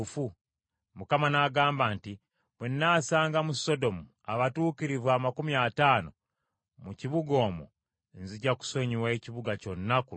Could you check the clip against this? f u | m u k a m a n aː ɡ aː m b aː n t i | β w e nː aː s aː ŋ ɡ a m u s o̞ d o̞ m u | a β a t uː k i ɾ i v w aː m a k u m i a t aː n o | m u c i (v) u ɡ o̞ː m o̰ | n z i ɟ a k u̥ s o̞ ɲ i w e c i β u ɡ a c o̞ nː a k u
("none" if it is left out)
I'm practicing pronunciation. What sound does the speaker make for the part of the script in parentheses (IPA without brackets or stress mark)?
β